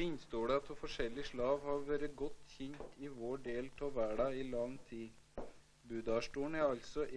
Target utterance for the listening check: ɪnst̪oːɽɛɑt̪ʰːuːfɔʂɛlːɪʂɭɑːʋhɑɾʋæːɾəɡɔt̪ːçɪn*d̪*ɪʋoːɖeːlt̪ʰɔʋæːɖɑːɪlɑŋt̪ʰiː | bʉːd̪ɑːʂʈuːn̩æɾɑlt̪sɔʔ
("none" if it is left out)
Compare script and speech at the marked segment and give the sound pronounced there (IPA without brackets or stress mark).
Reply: t̪